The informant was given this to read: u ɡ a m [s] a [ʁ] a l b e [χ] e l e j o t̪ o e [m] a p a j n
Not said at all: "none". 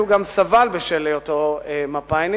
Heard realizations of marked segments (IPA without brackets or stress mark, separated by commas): s, v, ʃ, m